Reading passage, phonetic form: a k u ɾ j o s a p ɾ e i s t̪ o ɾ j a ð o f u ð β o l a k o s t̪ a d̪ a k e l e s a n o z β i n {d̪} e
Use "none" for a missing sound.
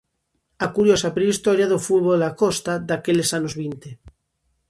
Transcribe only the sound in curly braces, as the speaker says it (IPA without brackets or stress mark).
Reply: t̪